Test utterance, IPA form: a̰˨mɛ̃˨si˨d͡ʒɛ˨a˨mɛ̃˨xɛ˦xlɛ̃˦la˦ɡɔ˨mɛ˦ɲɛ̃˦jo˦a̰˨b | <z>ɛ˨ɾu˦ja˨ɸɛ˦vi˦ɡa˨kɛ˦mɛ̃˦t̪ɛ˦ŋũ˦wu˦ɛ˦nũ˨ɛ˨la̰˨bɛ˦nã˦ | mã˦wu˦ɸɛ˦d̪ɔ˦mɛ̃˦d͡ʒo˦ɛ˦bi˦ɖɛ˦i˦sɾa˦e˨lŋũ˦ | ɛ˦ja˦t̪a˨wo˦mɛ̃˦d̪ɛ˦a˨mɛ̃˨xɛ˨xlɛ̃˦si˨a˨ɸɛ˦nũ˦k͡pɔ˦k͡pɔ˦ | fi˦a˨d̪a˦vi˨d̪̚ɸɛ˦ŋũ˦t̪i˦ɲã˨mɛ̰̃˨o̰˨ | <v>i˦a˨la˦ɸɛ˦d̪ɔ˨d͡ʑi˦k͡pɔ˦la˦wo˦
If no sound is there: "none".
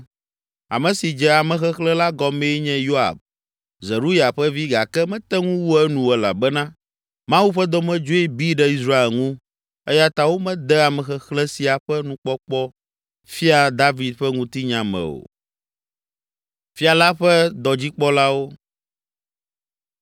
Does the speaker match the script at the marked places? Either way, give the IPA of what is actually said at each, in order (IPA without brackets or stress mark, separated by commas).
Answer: z, f